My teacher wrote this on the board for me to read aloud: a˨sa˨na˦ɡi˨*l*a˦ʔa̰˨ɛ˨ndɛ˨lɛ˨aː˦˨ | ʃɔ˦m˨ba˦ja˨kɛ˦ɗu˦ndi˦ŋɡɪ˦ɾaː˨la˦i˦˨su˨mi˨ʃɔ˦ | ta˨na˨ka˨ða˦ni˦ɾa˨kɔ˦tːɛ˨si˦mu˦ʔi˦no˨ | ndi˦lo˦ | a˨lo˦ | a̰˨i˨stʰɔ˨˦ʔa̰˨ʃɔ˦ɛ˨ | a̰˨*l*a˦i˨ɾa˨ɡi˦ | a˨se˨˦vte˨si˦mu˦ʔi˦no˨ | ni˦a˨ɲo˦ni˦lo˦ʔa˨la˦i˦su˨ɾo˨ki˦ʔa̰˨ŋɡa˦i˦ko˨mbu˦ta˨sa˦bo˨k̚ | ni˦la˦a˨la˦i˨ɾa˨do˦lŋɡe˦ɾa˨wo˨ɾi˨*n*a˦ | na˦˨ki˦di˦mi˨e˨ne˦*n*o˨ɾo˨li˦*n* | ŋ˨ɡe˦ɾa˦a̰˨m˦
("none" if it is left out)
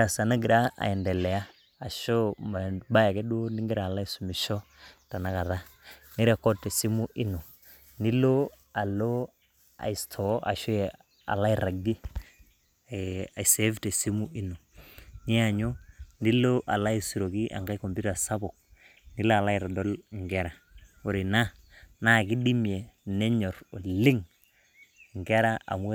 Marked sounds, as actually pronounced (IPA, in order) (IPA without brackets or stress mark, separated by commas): ɾ, l, n, ɲ, ŋ